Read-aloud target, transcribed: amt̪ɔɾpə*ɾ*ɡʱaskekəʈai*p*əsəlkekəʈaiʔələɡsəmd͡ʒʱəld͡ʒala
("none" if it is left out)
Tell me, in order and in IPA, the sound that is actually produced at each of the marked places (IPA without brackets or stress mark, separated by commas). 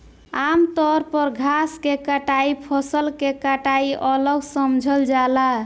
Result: ɾ, pʰ